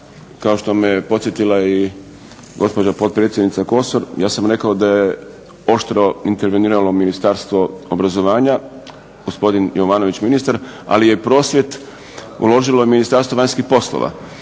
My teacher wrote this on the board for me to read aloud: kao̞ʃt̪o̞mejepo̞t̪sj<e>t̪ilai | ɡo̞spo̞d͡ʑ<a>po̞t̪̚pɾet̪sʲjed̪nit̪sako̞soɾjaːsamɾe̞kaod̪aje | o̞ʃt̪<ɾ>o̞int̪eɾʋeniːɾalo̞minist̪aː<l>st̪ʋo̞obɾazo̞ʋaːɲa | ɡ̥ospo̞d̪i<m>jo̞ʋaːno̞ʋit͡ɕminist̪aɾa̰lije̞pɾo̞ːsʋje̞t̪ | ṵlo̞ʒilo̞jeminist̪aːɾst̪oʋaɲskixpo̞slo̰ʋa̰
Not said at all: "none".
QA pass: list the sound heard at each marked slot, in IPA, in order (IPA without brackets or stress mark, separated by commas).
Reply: e, a, ɾ, ɾ, n